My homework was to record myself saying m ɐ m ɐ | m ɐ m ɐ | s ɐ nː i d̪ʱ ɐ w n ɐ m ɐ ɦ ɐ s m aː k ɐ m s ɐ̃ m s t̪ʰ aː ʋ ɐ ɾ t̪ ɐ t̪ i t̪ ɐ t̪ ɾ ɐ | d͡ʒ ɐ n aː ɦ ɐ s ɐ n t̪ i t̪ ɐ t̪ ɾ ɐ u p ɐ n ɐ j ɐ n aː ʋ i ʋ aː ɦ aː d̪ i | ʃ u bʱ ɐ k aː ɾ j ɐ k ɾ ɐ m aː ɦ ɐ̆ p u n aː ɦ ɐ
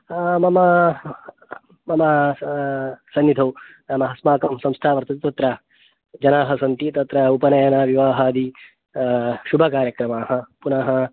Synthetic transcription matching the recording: m ɐ m ɐ | m ɐ m ɐ | s ɐ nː i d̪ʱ ɐ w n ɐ m ɐ ɦ ɐ s m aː k ɐ m s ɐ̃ m s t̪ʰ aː ʋ ɐ ɾ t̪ ɐ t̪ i t̪ ɐ t̪ ɾ ɐ | d͡ʒ ɐ n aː ɦ ɐ s ɐ n t̪ i t̪ ɐ t̪ ɾ ɐ u p ɐ n ɐ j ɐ n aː ʋ i ʋ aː ɦ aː d̪ i | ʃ u bʱ ɐ k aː ɾ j ɐ k ɾ ɐ m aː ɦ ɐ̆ p u n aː ɦ ɐ

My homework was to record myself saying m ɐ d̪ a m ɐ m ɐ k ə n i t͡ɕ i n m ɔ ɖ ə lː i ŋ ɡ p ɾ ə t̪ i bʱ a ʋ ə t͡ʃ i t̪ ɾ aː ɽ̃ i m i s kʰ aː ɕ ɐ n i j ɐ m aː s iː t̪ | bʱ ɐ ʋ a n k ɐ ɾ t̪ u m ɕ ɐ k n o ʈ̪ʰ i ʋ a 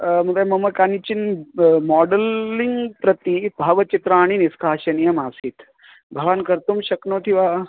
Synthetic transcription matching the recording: m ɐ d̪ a m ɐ m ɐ k a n i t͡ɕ i n m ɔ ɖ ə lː i ŋ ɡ p ɾ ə t̪ i bʱ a ʋ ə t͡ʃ i t̪ ɾ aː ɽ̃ i n i s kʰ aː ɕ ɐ n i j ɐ m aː s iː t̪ | bʱ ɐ ʋ a n k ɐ ɾ t̪ u m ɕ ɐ k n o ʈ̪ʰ i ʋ a

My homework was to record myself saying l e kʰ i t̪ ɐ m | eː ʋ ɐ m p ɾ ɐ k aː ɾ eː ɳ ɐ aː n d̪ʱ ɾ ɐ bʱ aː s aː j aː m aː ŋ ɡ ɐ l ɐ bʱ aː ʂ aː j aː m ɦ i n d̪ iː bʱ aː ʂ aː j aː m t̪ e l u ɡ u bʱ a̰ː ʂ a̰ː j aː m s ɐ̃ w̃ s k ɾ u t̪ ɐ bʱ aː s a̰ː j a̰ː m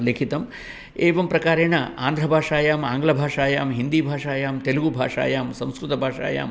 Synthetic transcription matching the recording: l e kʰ i t̪ ɐ m | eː ʋ ɐ m p ɾ ɐ k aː ɾ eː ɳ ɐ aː n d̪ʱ ɾ ɐ bʱ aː ʂ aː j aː m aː ŋ ɡ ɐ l ɐ bʱ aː ʂ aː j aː m ɦ i n d̪ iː bʱ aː ʂ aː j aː m t̪ e l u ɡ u bʱ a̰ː ʂ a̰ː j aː m s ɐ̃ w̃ s k ɾ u t̪ ɐ bʱ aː ʂ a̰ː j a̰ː m

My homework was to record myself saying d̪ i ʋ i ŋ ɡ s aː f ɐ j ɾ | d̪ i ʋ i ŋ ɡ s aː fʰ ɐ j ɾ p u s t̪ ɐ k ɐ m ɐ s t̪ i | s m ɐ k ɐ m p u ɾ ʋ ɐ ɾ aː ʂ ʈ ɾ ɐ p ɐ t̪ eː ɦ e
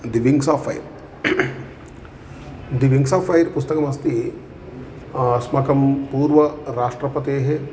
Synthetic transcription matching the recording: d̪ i ʋ i ŋ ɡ s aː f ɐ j ɾ | d̪ i ʋ i ŋ ɡ s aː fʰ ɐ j ɾ p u s t̪ ɐ k ɐ m ɐ s t̪ i | s m ɐ k ɐ m p uː ɾ ʋ ɐ ɾ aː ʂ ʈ ɾ ɐ p ɐ t̪ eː ɦ e

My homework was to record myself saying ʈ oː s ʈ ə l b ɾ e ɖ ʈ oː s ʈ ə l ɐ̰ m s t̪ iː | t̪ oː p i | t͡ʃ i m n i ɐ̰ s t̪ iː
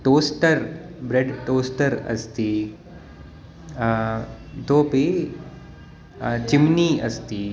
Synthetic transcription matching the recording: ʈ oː s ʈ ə ɾ b ɾ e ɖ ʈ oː s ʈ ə ɾ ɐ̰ s t̪ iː | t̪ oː p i | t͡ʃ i m n i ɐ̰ s t̪ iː

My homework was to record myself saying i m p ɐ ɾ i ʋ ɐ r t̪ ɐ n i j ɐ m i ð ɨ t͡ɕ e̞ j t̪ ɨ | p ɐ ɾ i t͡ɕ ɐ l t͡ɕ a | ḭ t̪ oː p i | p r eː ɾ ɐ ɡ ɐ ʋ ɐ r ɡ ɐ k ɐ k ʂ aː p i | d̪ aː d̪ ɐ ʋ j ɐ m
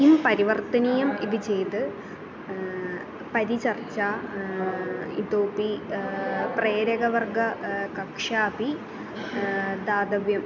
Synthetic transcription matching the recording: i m p ɐ ɾ i ʋ ɐ r t̪ ɐ n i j ɐ m i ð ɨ t͡ɕ e̞ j t̪ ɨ | p ɐ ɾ i t͡ɕ ɐ r t͡ɕ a | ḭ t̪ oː p i | p r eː ɾ ɐ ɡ ɐ ʋ ɐ r ɡ ɐ k ɐ k ʂ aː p i | d̪ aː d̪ ɐ ʋ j ɐ m

